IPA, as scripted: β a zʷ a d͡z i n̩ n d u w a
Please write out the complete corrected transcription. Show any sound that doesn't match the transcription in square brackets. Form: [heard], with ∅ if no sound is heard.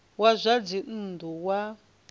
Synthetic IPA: [w] a zʷ a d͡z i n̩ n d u w a